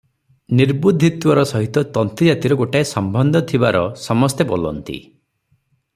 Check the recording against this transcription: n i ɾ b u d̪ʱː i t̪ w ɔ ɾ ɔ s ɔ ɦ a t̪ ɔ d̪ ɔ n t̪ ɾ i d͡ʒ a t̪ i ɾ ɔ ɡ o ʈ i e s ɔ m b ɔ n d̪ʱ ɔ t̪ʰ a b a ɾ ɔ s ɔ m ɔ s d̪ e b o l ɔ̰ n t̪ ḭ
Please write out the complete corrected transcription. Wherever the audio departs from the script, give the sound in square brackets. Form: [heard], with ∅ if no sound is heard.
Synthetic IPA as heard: n i ɾ b u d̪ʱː i t̪ w ɔ ɾ ɔ s ɔ ɦ [i] t̪ ɔ [t̪] ɔ n t̪ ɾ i d͡ʒ a t̪ i ɾ ɔ ɡ o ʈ [a] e s ɔ m b ɔ n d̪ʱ ɔ t̪ʰ [i] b a ɾ ɔ s ɔ m ɔ s [t̪] e b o l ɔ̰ n t̪ ḭ